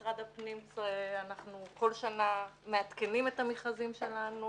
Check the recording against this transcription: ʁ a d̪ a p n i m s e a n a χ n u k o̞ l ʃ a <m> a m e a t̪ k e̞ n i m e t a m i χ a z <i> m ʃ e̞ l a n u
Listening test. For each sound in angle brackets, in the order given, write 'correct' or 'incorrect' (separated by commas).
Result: incorrect, correct